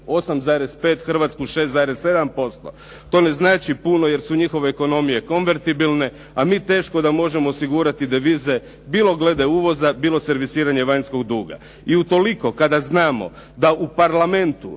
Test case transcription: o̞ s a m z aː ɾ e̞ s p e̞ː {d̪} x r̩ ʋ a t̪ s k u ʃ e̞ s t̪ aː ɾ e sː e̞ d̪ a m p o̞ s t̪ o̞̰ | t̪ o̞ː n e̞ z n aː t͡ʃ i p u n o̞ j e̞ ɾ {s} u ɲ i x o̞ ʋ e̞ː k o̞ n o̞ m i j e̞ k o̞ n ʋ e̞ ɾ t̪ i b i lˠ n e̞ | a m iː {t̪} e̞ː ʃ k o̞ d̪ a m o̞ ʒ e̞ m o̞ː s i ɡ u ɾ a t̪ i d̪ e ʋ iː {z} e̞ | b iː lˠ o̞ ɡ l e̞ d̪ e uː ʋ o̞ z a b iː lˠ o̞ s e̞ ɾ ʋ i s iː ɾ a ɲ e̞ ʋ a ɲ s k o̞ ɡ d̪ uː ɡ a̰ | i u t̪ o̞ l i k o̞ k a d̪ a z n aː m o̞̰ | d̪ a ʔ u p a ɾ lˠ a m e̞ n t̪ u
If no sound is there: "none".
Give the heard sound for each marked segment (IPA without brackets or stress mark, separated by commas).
t̪, s, t̪, z